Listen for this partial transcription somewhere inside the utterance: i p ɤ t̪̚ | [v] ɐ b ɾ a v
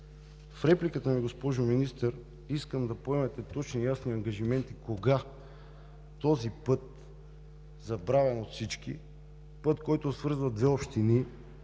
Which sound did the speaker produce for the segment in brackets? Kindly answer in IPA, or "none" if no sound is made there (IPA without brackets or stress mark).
z